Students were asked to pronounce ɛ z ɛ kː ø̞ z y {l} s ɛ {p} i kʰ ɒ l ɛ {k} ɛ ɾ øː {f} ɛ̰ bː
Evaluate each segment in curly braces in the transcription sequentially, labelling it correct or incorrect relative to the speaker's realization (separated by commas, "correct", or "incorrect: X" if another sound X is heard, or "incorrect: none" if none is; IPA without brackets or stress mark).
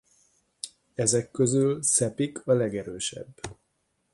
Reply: correct, correct, incorrect: ɡ, incorrect: ʃ